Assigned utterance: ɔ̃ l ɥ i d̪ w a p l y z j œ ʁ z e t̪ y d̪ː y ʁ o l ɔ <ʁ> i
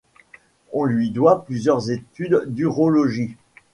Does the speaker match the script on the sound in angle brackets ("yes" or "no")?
no